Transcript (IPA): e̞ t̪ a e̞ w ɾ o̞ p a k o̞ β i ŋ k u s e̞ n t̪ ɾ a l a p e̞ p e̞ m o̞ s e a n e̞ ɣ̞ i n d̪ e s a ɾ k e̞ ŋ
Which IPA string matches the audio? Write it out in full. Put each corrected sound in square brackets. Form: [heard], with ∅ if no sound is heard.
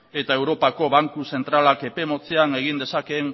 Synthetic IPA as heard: e̞ t̪ a e̞ w ɾ o̞ p a k o̞ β [a] ŋ k u s e̞ n t̪ ɾ a l a [k] e̞ p e̞ m o̞ [t͡s] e a n e̞ ɣ̞ i n d̪ e s a [∅] k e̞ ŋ